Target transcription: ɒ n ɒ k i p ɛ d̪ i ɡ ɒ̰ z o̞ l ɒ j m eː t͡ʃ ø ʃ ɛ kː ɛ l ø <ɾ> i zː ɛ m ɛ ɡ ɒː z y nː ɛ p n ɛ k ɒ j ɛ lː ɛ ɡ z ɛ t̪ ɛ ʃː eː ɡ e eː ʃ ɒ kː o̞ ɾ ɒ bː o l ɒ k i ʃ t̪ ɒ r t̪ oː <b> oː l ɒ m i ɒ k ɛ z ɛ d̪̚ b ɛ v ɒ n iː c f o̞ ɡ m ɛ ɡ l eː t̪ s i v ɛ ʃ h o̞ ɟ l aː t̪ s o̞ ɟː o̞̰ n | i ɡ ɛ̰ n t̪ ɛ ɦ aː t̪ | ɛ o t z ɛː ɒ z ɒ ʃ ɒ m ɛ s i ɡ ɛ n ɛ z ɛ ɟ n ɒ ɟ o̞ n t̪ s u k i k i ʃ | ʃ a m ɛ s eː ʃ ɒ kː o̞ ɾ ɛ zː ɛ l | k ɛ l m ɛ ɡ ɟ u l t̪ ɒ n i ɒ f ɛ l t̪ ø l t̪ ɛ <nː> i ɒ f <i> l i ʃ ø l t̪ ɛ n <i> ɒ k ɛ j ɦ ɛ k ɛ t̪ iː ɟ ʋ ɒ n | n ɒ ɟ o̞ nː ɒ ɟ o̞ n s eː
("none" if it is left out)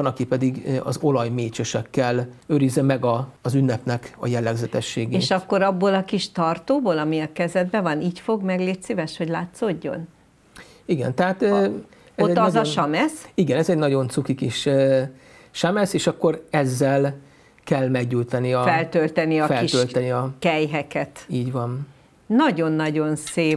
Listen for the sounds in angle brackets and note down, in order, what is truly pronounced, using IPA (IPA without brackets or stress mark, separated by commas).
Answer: ɾ, b, n, ɛ, i